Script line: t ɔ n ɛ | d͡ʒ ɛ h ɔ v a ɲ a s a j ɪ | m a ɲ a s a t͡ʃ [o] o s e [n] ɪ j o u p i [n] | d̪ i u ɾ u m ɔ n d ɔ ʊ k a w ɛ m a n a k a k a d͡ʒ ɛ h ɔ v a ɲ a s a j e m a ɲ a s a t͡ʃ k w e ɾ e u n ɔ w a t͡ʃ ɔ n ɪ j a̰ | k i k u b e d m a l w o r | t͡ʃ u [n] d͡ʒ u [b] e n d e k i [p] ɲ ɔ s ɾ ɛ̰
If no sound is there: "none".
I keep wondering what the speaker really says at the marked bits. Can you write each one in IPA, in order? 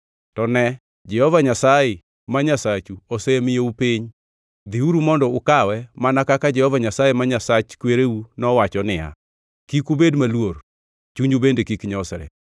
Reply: u, m, ɲ, ɲ, b, k

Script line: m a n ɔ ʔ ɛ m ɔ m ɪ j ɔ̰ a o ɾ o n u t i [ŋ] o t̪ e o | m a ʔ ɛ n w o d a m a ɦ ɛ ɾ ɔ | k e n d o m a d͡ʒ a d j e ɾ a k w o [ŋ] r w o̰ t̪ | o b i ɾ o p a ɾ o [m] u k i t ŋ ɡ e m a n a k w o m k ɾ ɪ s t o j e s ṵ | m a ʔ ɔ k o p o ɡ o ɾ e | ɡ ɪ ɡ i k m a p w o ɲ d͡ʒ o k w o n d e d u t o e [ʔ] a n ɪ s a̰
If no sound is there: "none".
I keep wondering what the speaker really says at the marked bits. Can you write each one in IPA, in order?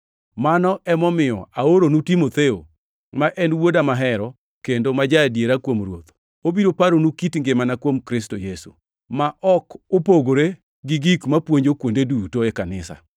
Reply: m, m, n, k

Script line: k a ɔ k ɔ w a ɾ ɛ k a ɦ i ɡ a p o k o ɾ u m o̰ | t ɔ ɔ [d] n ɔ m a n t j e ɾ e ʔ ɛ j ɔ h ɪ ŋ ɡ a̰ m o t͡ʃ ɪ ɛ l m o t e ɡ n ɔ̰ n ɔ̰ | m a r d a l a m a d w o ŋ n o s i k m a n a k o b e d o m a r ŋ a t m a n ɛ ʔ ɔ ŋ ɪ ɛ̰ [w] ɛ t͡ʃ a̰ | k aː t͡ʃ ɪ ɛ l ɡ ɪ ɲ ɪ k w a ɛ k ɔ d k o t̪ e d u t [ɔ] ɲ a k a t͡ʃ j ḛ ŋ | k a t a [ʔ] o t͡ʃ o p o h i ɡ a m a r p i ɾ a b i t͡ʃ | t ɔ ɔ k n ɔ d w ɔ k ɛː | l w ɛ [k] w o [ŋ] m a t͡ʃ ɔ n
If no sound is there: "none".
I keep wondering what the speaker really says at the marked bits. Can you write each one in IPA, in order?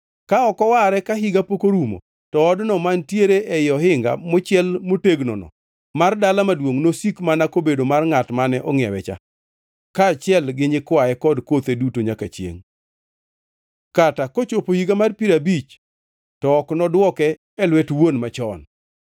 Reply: d, w, o, k, t, n

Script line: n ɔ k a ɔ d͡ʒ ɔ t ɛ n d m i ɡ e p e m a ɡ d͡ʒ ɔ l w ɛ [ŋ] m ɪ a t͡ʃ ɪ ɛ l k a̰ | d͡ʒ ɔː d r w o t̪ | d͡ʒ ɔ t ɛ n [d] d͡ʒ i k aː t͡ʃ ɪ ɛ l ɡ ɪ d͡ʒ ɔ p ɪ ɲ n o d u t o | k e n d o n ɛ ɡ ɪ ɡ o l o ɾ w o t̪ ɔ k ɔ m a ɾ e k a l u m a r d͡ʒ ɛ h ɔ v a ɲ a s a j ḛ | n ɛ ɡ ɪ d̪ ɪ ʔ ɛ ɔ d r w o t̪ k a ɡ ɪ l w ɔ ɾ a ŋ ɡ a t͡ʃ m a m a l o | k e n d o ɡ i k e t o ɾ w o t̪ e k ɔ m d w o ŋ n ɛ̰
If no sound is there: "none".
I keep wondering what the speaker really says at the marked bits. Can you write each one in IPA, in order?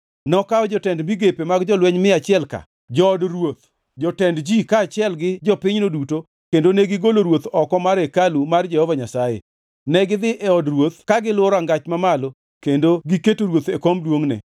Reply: ɲ, d

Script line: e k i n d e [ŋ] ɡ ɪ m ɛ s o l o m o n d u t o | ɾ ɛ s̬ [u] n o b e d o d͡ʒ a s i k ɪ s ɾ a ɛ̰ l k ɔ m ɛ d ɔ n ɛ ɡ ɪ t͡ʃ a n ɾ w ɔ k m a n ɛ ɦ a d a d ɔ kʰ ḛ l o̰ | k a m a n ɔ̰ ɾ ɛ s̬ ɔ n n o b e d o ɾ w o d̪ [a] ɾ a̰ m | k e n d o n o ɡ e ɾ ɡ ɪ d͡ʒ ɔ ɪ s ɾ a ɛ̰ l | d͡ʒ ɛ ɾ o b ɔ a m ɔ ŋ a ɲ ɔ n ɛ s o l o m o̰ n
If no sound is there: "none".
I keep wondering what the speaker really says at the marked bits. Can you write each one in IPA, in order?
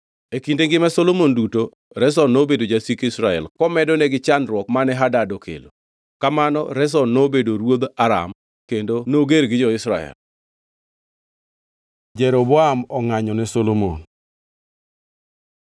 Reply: ŋ, ɔ, a

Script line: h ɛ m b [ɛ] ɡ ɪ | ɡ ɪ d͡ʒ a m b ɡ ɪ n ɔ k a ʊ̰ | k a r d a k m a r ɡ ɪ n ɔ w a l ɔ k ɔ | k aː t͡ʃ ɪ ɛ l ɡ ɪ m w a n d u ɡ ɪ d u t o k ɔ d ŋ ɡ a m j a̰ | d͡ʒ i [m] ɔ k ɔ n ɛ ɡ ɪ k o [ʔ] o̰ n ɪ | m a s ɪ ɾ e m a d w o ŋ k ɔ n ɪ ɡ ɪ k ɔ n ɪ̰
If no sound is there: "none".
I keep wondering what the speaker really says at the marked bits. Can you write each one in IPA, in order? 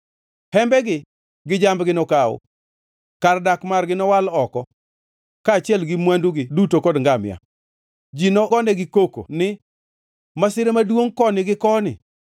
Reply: ɛ, n, k

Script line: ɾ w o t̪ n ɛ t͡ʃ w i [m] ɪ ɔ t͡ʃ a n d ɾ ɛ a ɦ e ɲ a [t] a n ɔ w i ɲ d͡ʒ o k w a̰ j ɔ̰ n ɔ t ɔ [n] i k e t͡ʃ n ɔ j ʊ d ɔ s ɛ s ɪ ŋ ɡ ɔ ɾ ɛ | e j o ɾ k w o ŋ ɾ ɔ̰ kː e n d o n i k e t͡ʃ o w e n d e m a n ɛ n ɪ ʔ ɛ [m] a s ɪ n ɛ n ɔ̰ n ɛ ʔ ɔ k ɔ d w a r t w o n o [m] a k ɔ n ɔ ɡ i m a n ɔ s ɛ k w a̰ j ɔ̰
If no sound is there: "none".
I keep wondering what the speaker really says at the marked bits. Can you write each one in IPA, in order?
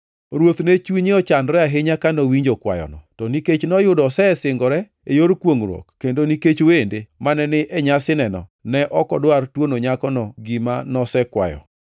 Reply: ɲ, k, n, ɲ, ɲ

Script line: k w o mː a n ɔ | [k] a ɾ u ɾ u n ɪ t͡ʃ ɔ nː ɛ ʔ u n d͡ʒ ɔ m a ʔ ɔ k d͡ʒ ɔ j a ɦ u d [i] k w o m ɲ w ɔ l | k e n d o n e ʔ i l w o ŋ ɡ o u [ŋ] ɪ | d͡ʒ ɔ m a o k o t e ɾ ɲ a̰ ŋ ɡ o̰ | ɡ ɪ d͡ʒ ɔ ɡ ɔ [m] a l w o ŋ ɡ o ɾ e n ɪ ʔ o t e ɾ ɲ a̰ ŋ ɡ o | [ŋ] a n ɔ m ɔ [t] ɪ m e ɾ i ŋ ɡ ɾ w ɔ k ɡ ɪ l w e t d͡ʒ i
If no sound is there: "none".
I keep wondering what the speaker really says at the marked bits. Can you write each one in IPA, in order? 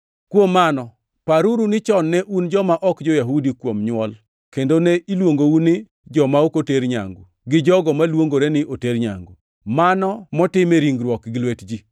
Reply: p, i, n, m, m, t

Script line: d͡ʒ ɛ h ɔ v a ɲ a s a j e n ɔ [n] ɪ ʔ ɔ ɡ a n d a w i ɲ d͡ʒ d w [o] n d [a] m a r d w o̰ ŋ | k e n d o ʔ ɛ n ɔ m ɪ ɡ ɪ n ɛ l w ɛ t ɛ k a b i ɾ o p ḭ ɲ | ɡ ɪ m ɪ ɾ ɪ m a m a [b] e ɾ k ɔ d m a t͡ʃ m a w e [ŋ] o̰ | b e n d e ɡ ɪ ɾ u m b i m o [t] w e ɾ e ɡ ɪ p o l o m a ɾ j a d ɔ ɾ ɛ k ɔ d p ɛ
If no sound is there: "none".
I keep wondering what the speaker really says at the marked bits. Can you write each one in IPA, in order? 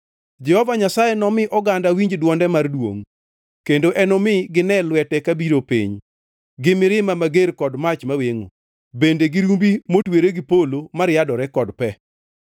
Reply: m, ɔ, ɛ, ɡ, ŋ, t

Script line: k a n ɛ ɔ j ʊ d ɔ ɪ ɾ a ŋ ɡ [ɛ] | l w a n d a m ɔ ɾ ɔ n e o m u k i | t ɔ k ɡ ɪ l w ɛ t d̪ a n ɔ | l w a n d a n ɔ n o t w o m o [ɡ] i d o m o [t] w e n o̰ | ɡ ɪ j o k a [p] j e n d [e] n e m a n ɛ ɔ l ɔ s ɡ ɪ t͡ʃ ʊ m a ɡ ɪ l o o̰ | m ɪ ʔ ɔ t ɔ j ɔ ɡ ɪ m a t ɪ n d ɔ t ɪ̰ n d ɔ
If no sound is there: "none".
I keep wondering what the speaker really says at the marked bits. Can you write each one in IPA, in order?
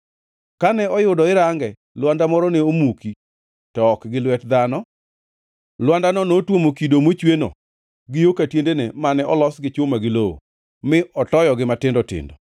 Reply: ɛ, k, t͡ʃ, t, e

